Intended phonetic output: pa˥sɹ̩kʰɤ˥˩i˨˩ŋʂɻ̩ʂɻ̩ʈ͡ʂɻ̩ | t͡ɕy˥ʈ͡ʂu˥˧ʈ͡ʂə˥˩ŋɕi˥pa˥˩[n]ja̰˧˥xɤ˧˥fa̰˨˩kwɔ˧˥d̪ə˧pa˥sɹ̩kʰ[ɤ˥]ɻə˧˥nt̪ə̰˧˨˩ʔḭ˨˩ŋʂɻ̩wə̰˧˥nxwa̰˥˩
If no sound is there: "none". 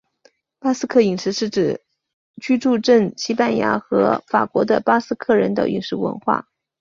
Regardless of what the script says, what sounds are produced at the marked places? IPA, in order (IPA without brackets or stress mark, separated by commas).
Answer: n, ɤ˥˩